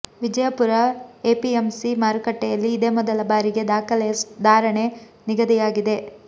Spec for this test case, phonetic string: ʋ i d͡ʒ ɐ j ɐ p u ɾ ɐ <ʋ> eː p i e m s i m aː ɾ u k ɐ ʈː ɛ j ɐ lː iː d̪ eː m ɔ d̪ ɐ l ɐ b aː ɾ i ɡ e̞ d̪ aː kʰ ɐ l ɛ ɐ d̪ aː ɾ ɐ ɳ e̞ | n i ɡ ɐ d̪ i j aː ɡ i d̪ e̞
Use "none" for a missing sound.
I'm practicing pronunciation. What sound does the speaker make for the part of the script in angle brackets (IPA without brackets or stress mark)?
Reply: none